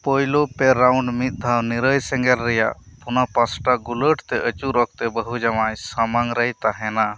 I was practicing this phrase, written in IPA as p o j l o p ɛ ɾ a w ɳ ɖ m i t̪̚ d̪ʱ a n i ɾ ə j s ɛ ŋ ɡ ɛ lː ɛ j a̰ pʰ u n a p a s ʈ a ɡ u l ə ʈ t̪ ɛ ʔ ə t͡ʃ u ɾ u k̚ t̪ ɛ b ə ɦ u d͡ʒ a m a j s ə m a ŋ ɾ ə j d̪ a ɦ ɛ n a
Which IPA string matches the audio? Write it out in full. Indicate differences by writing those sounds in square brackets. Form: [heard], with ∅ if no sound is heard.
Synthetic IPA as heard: p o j l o p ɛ ɾ a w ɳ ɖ m i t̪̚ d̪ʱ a n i ɾ ə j s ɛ ŋ ɡ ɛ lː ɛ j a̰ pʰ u n a p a s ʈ a ɡ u l ə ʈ t̪ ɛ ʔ ə t͡ʃ u ɾ [ɔ] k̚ t̪ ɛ b ə ɦ u d͡ʒ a m a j s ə m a ŋ ɾ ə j [t̪] a ɦ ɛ n a